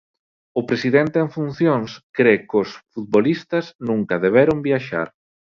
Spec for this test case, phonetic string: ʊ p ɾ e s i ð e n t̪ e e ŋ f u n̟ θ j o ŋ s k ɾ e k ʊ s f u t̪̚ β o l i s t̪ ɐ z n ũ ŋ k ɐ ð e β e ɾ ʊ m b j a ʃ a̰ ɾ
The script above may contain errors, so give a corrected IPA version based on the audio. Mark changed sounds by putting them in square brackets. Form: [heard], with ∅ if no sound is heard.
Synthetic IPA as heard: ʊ p ɾ e s i ð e n t̪ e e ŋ f u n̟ θ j o ŋ s k ɾ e k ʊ s f u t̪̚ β o l i s t̪ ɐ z n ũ ŋ k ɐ ð e β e ɾ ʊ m b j a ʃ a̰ ɾ